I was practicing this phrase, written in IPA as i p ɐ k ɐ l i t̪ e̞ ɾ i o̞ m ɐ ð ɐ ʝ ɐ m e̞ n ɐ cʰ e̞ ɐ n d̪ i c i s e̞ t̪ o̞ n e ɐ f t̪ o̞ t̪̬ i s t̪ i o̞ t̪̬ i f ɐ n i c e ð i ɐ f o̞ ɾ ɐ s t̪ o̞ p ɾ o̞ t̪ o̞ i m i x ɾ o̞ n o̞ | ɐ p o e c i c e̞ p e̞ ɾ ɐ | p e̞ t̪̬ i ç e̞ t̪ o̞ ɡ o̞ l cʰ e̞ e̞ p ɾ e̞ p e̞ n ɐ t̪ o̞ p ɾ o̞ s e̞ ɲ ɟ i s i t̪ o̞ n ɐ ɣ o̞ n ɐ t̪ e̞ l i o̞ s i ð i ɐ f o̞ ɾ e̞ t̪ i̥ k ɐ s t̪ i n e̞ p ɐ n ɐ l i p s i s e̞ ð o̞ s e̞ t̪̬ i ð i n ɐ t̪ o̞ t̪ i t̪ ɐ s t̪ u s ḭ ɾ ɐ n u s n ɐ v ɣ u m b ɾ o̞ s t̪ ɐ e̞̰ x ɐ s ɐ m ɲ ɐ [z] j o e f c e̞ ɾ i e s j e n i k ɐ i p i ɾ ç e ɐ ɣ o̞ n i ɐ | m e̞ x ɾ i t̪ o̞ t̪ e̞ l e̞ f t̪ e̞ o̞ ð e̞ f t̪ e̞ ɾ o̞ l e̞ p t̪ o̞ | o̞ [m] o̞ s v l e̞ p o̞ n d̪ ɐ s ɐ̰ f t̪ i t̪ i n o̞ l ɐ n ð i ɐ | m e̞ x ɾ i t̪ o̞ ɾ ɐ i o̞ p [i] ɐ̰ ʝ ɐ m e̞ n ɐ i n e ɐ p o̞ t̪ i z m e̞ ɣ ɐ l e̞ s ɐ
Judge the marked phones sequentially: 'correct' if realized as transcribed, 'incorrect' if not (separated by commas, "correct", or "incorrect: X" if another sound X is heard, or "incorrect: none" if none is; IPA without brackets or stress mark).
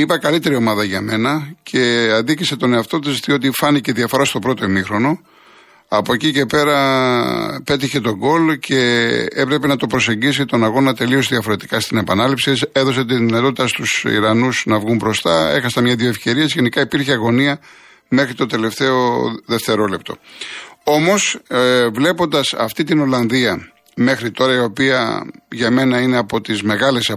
incorrect: ð, correct, correct